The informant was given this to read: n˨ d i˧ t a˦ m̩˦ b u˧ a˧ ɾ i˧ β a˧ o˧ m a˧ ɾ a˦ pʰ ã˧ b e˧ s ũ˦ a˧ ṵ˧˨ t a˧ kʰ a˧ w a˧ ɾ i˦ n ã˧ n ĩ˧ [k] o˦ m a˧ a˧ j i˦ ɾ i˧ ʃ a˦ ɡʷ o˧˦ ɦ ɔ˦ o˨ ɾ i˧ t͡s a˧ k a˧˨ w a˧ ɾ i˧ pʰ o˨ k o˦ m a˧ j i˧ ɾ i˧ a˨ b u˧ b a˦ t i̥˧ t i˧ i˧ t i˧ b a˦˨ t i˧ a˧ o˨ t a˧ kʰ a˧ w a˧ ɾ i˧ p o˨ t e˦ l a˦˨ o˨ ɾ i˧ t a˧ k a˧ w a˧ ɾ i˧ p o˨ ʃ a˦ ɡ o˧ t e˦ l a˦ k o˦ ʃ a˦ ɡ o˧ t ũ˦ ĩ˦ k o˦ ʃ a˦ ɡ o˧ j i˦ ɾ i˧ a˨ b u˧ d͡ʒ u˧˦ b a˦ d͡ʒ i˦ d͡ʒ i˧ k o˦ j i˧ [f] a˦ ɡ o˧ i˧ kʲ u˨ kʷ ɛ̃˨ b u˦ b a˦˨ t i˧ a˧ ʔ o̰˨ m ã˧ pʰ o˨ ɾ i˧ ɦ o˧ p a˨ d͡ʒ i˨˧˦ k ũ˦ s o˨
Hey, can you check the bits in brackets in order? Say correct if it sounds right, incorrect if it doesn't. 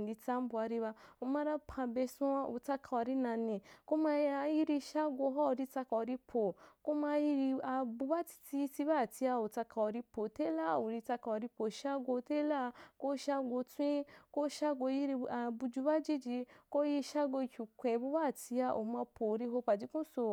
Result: correct, incorrect: ʃ

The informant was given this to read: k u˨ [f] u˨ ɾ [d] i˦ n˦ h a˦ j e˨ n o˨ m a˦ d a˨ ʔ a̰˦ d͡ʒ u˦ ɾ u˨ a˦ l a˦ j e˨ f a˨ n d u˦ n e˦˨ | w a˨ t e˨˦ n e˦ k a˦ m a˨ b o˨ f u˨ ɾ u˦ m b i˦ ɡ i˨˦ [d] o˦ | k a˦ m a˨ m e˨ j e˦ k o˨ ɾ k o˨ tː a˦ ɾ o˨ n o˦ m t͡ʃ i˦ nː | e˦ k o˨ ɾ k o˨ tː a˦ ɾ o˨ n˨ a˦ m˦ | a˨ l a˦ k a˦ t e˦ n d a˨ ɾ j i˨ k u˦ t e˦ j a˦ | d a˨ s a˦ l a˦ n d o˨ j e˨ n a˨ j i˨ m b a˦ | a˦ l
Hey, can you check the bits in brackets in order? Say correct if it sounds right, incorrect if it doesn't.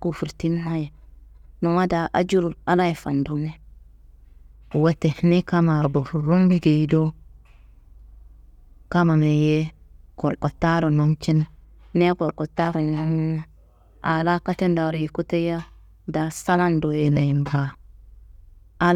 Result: correct, incorrect: t, correct

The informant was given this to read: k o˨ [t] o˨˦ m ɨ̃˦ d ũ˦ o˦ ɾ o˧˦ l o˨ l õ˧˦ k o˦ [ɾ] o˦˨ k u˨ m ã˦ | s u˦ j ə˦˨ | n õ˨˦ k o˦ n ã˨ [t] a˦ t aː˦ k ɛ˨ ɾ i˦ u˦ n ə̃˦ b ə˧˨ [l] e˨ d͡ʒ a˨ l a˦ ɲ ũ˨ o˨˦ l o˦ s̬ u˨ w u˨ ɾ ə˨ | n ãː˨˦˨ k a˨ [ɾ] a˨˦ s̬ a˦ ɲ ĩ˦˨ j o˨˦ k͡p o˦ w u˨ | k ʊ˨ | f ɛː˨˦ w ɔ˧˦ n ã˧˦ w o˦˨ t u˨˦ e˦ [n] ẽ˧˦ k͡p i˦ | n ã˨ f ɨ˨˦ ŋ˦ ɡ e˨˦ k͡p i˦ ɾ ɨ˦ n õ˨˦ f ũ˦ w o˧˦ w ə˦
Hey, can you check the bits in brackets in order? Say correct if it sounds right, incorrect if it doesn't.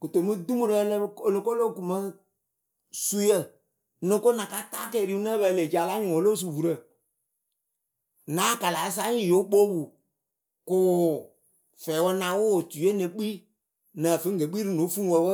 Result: correct, incorrect: l, incorrect: k, correct, incorrect: l, correct

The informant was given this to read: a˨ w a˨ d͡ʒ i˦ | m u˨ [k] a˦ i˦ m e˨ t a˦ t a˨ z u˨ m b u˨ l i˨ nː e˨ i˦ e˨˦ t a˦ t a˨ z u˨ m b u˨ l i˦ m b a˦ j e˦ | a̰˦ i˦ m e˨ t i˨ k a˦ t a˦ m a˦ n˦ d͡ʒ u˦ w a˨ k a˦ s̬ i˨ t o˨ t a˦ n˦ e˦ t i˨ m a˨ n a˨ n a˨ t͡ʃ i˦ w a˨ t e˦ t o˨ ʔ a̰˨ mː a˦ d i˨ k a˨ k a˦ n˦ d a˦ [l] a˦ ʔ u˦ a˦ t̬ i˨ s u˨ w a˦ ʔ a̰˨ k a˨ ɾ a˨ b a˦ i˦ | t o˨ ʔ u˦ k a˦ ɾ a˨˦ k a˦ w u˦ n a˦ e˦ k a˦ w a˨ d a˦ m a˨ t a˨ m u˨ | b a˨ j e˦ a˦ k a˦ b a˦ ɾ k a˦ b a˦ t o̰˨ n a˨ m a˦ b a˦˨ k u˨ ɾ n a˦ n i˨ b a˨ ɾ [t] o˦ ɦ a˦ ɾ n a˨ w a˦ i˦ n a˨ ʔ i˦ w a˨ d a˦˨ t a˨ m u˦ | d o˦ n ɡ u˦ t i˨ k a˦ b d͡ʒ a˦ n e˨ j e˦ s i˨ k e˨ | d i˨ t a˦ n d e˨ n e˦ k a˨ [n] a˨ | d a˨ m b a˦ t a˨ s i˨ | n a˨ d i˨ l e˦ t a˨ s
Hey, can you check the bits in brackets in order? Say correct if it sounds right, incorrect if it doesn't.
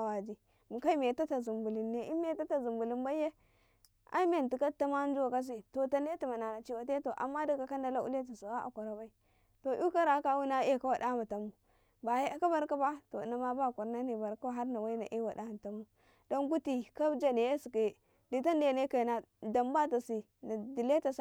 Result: correct, correct, incorrect: k, correct

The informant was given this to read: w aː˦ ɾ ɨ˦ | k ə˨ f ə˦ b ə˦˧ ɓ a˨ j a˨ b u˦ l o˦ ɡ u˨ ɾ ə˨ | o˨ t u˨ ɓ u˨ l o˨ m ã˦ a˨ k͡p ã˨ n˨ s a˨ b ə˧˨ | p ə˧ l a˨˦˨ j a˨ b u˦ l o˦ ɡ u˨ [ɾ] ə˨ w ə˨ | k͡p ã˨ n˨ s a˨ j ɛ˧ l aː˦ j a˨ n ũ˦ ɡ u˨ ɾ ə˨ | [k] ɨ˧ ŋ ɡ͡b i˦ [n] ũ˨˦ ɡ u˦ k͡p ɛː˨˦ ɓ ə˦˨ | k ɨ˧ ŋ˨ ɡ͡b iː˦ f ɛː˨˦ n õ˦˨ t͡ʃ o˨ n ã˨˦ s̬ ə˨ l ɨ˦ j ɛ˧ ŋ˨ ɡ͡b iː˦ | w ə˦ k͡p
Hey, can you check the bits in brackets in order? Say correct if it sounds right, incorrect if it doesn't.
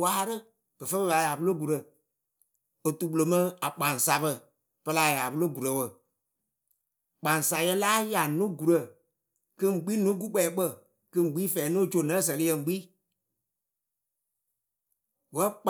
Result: correct, correct, correct

